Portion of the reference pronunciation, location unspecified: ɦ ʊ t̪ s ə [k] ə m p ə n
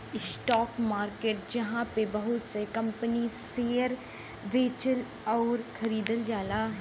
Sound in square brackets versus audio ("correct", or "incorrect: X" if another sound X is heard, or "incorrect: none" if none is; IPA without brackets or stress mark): correct